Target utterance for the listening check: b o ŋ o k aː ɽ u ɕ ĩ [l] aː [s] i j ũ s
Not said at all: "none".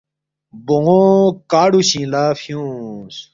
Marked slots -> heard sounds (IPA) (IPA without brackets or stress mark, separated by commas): l, f